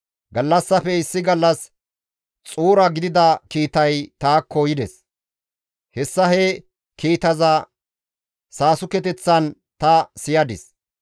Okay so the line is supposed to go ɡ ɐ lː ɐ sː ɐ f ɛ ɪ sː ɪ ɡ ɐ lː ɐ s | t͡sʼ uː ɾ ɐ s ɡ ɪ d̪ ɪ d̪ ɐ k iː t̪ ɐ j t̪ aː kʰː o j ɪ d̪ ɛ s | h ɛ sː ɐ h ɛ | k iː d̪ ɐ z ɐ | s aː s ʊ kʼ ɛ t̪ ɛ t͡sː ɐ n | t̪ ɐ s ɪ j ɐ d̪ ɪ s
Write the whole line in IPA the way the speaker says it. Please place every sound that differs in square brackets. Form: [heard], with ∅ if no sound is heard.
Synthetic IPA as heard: ɡ ɐ lː ɐ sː ɐ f ɛ ɪ sː ɪ ɡ ɐ lː ɐ s | t͡sʼ uː ɾ ɐ [∅] ɡ ɪ d̪ ɪ d̪ ɐ k iː t̪ ɐ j t̪ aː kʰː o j ɪ d̪ ɛ s | h ɛ sː ɐ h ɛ | k iː [t̪] ɐ z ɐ | s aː s ʊ [k] ɛ t̪ ɛ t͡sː ɐ n | t̪ ɐ s ɪ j ɐ d̪ ɪ s